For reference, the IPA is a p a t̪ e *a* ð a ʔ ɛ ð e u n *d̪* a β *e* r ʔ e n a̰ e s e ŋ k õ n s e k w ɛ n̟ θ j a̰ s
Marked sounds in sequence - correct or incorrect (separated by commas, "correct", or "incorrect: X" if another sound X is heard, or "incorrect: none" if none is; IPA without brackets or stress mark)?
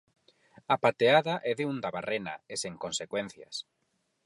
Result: correct, correct, incorrect: a